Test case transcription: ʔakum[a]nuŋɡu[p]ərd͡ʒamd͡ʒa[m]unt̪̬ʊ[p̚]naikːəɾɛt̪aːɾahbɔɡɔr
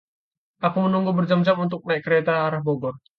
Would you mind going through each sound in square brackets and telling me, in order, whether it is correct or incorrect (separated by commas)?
incorrect, incorrect, correct, incorrect